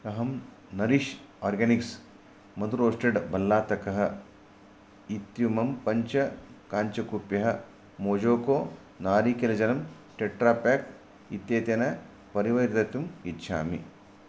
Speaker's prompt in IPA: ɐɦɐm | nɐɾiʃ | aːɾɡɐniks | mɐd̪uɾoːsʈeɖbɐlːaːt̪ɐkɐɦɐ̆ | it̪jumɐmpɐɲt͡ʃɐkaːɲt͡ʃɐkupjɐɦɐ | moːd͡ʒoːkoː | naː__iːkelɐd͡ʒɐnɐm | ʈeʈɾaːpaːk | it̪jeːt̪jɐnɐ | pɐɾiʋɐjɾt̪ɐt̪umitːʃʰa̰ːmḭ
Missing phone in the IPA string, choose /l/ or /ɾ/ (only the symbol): ɾ